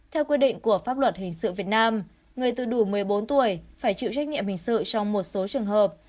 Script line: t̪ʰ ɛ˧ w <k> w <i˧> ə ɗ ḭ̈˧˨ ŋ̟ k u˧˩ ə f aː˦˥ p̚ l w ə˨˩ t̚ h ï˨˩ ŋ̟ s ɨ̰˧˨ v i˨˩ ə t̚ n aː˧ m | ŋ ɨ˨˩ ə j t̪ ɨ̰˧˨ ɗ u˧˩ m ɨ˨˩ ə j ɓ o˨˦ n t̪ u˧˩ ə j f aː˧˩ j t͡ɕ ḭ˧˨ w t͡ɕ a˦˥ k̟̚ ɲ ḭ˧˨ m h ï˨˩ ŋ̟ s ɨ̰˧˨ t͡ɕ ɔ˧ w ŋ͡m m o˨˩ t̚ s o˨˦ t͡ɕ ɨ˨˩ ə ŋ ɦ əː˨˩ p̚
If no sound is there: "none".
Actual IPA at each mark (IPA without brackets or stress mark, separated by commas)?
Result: k, i˧